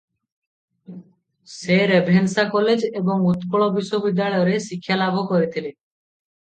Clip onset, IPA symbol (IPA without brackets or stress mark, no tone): s